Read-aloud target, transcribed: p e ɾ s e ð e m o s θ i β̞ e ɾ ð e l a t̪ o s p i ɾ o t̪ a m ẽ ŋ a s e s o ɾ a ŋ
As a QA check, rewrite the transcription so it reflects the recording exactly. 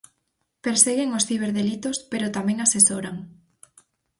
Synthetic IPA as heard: p e ɾ s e ɣ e ŋ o s θ i β̞ e ɾ ð e l i t̪ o s p e ɾ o t̪ a m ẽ ŋ a s e s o ɾ a ŋ